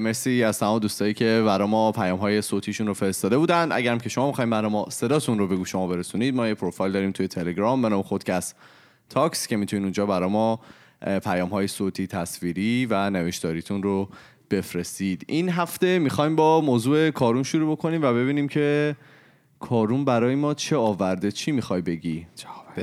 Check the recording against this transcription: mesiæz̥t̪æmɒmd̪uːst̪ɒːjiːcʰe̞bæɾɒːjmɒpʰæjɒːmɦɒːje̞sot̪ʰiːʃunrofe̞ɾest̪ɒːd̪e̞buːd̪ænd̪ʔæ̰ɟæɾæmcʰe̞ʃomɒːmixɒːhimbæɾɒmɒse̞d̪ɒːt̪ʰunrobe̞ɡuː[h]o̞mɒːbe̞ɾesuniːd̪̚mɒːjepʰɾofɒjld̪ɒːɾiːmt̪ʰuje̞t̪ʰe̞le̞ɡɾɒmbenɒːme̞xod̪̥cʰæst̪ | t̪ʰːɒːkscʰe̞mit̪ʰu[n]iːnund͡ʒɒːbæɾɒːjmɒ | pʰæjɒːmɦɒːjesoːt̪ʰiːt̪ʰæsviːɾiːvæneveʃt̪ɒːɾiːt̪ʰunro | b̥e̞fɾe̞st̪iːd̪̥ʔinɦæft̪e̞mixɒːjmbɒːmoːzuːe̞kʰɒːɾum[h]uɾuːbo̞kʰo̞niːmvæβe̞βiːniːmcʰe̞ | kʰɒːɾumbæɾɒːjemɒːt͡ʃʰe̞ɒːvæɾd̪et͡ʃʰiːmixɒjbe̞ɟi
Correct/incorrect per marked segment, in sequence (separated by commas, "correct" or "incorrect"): incorrect, correct, incorrect